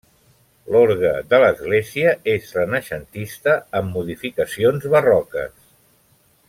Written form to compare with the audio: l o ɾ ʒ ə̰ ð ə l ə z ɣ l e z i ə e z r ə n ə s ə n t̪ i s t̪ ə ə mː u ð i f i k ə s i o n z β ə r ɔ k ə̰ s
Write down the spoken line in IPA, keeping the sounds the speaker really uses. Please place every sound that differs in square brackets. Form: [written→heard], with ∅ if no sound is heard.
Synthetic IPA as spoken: l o ɾ [ʒ→ɣ] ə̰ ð ə l ə z ɣ l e z i ə e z r ə n ə [s→ʃ] ə n t̪ i s t̪ ə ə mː u ð i f i k ə s i o n z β ə r ɔ k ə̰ s